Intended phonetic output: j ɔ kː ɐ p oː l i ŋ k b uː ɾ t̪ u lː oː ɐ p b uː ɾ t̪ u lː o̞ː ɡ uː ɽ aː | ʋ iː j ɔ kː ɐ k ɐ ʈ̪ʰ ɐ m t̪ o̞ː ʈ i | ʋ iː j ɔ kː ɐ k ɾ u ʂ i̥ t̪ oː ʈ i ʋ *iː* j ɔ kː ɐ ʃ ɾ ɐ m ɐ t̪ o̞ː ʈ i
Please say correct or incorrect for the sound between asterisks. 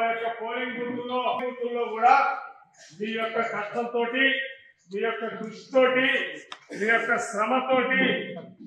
correct